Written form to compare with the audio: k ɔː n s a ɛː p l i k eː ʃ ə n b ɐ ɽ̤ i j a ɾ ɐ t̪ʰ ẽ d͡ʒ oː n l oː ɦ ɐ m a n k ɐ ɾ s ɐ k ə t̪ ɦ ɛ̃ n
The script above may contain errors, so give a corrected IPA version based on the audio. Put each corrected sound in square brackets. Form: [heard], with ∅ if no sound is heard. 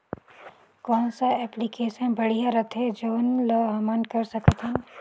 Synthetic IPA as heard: k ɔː n s a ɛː p l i k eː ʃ ə n b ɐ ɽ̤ i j a ɾ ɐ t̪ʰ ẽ d͡ʒ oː n l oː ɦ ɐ m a n k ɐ ɾ s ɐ k ə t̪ ɦ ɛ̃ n